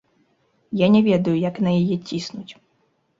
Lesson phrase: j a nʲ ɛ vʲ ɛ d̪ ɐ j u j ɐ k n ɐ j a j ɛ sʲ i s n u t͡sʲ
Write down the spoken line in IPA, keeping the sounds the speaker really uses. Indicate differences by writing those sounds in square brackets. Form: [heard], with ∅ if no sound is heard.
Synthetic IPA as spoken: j a nʲ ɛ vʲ ɛ d̪ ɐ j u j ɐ k n ɐ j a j ɛ [t͡sʲ] i s n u t͡sʲ